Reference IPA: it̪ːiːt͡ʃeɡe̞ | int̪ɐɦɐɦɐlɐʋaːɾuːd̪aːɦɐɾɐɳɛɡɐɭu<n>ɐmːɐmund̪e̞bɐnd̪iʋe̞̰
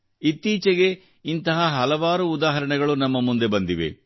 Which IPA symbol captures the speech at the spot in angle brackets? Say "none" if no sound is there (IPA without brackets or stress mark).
n